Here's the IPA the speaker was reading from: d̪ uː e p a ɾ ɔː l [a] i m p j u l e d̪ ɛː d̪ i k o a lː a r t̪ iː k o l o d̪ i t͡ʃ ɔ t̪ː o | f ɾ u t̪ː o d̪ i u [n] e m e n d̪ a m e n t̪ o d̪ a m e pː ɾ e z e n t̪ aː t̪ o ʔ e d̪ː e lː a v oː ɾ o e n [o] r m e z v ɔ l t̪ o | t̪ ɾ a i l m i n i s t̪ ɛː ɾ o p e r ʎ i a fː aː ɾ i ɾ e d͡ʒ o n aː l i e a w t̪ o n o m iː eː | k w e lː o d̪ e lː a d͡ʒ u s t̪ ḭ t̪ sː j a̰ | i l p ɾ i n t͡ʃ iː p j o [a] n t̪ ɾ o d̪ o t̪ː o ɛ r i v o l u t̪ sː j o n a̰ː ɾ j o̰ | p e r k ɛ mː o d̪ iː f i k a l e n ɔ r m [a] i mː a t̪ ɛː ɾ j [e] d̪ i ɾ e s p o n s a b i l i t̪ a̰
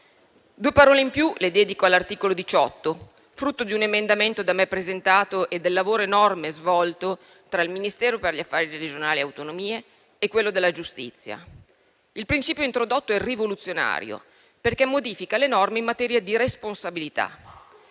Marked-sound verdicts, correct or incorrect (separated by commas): incorrect, correct, incorrect, incorrect, incorrect, incorrect